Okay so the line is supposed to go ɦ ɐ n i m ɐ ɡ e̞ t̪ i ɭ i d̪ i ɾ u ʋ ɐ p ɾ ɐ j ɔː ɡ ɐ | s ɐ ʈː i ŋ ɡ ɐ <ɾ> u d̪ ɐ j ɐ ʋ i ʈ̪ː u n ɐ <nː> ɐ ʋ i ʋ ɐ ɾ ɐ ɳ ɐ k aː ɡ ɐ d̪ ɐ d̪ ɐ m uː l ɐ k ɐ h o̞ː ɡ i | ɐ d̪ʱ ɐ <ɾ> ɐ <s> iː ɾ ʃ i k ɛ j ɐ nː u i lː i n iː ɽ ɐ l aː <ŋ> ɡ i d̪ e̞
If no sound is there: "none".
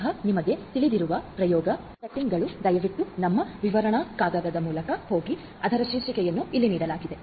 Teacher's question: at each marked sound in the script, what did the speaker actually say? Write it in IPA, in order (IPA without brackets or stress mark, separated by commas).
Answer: ɭ, mː, ɾ, ʃ, none